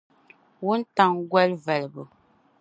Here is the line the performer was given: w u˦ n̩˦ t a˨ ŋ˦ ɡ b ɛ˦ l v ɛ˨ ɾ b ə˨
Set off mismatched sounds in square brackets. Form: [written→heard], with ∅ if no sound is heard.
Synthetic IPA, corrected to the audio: w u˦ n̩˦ t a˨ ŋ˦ ɡ [b→w] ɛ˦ l v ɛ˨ [ɾ→l] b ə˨